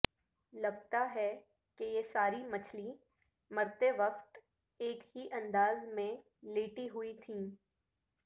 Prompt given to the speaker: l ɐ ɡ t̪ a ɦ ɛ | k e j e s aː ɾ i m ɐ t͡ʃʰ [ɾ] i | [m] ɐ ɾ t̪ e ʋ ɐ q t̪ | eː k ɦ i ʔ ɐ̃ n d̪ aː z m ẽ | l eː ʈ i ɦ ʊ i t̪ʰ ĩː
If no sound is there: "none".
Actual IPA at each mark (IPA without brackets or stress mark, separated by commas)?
l, m